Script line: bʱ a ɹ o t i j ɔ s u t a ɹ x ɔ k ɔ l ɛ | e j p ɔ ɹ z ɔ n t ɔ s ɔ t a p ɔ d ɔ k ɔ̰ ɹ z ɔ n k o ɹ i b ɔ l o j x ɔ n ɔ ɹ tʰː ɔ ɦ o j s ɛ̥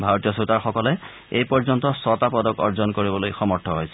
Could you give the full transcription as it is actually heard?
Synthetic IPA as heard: bʱ a ɹ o t i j ɔ s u t a ɹ x ɔ k ɔ l ɛ | e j p ɔ ɹ z ɔ n t ɔ s ɔ t a p ɔ d ɔ k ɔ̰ ɹ z ɔ n k o ɹ i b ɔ l o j x ɔ m ɔ ɹ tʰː ɔ ɦ o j s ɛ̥